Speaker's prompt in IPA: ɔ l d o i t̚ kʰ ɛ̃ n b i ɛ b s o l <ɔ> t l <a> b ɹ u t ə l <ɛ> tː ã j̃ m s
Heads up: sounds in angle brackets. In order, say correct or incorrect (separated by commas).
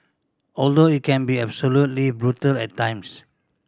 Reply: incorrect, incorrect, correct